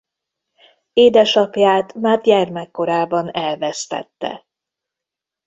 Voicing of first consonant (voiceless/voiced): voiced